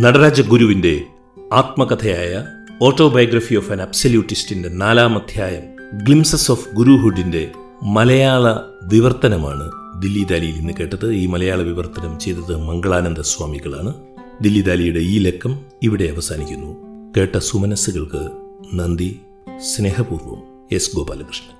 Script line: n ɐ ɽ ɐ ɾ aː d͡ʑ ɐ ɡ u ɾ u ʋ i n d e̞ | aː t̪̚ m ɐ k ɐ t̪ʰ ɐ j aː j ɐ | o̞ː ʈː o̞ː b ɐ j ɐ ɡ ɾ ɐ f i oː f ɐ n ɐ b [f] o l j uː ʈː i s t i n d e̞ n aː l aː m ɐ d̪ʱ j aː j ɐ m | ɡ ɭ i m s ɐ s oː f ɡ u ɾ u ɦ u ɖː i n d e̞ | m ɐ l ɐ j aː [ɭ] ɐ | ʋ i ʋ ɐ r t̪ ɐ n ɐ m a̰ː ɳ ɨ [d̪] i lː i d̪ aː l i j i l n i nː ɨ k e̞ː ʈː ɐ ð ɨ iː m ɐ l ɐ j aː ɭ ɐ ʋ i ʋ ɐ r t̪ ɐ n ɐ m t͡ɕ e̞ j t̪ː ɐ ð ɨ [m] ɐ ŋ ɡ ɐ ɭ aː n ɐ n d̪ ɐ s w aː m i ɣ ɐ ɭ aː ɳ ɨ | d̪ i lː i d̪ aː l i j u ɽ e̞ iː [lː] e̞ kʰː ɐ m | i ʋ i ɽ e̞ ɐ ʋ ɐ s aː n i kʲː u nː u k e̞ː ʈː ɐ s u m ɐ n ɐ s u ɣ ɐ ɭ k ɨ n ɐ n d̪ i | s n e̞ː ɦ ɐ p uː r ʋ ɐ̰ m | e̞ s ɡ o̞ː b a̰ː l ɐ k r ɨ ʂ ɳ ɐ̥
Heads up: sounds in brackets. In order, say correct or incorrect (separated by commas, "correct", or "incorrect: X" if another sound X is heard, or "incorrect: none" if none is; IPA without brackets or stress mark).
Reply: incorrect: s, correct, correct, correct, incorrect: l